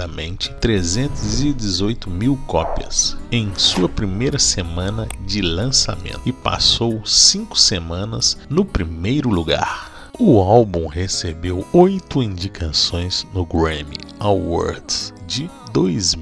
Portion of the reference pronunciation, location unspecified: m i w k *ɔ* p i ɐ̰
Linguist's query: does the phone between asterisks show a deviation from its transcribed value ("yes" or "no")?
no